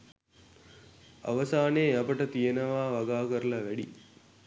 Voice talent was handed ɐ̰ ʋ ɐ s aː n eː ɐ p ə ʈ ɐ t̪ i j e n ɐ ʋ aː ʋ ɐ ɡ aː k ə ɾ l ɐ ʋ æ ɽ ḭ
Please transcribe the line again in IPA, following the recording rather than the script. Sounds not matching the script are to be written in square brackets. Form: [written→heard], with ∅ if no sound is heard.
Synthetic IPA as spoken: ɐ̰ ʋ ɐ s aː n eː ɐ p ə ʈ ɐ t̪ i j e n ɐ ʋ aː ʋ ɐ ɡ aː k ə ɾ l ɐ ʋ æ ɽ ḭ

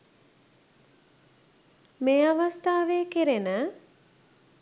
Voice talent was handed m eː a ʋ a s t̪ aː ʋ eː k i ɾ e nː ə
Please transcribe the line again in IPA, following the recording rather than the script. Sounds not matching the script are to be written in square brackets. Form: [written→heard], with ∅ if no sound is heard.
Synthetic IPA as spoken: m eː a ʋ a s t̪ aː ʋ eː k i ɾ e [nː→n] ə

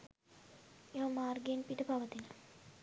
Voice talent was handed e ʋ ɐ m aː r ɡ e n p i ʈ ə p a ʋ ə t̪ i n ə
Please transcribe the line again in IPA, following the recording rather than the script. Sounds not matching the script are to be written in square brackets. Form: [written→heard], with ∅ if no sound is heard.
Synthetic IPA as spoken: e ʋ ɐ m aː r ɡ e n p i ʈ ə p a ʋ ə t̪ i n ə

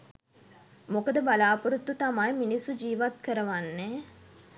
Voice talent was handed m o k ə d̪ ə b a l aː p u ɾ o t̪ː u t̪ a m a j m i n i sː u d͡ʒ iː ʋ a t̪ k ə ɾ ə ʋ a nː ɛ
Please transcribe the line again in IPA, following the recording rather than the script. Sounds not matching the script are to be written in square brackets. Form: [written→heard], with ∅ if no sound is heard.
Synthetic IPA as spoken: m o k ə d̪ ə b a l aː p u ɾ [o→u] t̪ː u t̪ a m a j m i n i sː u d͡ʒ iː ʋ a t̪ k ə ɾ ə ʋ a nː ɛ

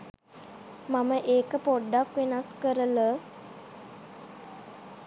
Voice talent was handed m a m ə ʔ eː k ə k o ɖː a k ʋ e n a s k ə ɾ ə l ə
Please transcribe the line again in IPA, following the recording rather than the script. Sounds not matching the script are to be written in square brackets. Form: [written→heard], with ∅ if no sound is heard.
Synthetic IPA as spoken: m a m ə ʔ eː k ə [k→p] o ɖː a k ʋ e n a s k ə ɾ ə l ə

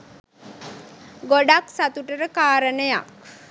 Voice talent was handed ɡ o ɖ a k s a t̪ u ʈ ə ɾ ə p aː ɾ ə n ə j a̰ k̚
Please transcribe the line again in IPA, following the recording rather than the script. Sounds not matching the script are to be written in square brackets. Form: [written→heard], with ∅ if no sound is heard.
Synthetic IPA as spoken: ɡ o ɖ a k s a t̪ u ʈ ə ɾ ə [p→k] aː ɾ ə n ə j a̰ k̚

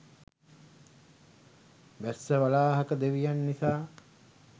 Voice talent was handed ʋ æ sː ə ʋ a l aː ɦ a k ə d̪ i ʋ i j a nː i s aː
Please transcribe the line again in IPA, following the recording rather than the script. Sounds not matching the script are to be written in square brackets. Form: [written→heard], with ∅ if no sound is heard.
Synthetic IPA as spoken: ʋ æ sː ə ʋ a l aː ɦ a k ə d̪ [i→e] ʋ i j a nː i s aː

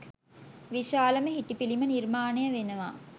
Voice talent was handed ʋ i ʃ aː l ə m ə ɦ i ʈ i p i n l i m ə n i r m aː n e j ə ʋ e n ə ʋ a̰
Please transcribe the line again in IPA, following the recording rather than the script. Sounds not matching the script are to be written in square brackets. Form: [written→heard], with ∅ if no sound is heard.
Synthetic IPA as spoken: ʋ i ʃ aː l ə m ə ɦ i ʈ i p i [n→∅] l i m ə n i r m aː n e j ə ʋ e n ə ʋ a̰

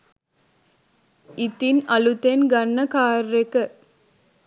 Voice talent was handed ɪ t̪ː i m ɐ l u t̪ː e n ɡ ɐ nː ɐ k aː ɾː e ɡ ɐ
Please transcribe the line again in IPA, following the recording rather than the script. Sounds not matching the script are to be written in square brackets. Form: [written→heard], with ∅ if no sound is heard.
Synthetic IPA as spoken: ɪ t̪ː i [m→n] ɐ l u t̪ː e n ɡ ɐ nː ɐ k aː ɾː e [ɡ→k] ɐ

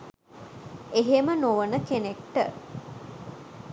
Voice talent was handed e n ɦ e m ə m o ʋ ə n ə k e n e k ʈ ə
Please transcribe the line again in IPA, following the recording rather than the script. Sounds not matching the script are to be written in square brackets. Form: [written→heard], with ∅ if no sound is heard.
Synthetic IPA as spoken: e [n→∅] ɦ e m ə [m→n] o ʋ ə n ə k e n e k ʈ ə

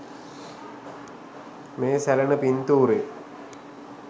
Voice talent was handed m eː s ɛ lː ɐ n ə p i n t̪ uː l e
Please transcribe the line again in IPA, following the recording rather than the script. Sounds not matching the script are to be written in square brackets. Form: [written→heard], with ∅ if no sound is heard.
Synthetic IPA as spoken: m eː s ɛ [lː→l] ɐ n ə p i n t̪ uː [l→ɾ] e

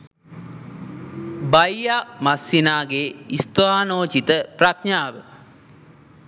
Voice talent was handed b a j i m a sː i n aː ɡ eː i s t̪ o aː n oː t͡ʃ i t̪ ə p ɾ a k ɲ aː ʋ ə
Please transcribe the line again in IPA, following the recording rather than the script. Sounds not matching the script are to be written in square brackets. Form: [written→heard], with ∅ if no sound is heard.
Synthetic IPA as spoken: b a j [i→a] m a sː i n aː ɡ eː i s t̪ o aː n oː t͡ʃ i t̪ ə p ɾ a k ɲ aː ʋ ə

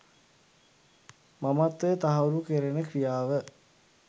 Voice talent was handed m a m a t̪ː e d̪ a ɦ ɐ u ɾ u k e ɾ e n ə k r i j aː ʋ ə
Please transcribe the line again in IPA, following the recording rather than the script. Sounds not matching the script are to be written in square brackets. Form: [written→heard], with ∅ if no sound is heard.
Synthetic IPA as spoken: m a m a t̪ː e [d̪→t̪] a ɦ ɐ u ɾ u k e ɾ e n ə k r i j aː ʋ ə

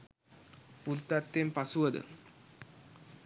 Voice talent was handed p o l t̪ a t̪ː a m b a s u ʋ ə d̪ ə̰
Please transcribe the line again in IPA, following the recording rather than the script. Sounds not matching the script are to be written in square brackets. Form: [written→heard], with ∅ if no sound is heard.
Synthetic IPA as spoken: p [o→u] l t̪ a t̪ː [a→e] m [b→p] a s u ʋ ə d̪ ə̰

